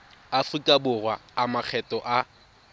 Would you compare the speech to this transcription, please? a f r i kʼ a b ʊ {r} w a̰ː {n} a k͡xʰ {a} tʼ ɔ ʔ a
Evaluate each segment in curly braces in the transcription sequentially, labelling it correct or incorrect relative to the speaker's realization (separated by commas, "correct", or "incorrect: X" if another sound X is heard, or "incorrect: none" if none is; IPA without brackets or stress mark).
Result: correct, incorrect: m, incorrect: ɛ